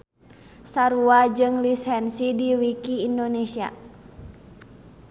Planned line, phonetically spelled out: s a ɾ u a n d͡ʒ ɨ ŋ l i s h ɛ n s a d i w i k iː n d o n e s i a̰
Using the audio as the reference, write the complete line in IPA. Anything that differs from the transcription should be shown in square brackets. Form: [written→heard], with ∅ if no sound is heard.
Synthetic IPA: s a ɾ u a [n→∅] d͡ʒ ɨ ŋ l i s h ɛ n s [a→i] d i w i k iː n d o n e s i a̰